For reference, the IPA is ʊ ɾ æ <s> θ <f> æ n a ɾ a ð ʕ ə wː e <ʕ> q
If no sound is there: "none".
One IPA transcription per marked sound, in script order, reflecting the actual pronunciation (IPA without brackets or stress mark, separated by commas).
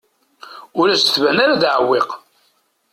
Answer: s, v, none